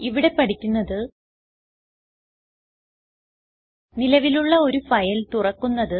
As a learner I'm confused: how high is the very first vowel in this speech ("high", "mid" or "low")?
high